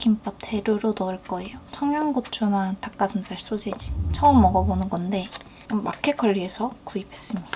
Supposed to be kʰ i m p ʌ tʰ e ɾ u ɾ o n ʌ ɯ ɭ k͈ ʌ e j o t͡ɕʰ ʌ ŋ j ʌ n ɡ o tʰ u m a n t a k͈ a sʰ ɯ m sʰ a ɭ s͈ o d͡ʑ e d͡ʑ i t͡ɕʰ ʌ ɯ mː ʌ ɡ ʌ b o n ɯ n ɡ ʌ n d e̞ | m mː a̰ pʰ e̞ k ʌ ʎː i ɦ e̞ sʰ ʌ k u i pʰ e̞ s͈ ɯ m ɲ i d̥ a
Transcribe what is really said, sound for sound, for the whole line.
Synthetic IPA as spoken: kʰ i m p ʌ tʰ e ɾ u ɾ o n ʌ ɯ ɭ k͈ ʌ e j o t͡ɕʰ ʌ ŋ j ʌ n ɡ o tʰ u m a n t a k͈ a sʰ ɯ m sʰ a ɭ s͈ o d͡ʑ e d͡ʑ i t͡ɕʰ ʌ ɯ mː ʌ ɡ ʌ b o n ɯ n ɡ ʌ n d e̞ | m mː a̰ kʰ e̞ k ʌ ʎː i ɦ e̞ sʰ ʌ k u i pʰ e̞ s͈ ɯ m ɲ i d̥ a